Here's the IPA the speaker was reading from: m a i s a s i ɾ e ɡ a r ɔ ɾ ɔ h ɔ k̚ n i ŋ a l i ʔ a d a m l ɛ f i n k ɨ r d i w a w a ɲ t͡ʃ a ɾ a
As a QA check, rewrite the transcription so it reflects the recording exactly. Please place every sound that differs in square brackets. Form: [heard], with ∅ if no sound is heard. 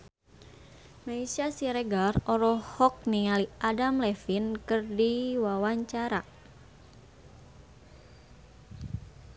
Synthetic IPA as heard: m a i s a s i ɾ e ɡ a r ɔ ɾ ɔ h ɔ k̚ n i ŋ a l i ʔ a d a m l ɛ f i n k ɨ r d i w a w a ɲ t͡ʃ a ɾ a